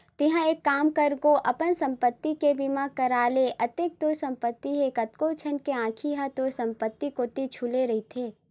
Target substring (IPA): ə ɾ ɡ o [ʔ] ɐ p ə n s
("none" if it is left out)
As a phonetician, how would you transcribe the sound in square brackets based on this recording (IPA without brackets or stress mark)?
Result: ʔ